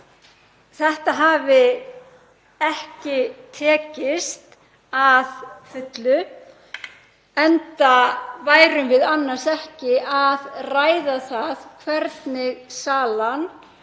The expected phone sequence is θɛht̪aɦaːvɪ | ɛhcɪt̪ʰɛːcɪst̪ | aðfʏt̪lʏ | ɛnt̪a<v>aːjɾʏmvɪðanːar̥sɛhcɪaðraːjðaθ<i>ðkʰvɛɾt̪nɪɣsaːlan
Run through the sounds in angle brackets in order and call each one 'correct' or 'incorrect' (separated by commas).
correct, incorrect